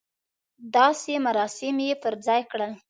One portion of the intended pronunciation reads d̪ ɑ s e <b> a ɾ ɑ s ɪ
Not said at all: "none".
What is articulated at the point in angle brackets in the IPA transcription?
m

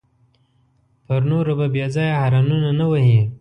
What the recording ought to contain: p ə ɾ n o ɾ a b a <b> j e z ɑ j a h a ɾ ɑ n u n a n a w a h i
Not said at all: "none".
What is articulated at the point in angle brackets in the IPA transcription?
b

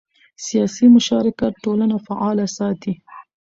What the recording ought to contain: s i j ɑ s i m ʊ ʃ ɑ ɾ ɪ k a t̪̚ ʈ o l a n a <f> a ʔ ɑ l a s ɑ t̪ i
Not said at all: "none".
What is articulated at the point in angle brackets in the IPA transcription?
f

